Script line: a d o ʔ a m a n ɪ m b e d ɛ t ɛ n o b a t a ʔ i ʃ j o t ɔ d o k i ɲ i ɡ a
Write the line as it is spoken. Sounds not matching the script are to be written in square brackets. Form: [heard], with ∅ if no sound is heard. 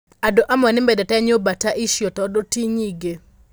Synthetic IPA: a d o ʔ a m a n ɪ m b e d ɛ t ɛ [ɲ] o b a t a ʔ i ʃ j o t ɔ d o [t] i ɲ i ɡ [e]